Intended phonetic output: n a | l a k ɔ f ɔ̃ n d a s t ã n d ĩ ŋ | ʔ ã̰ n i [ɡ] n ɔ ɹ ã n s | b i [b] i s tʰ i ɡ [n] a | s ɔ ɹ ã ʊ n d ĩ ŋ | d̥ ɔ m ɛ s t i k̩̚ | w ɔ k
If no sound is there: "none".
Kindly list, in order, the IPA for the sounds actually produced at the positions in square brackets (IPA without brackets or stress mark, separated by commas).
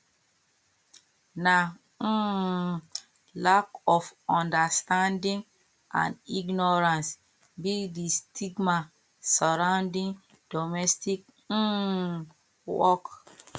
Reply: ɡ, d, m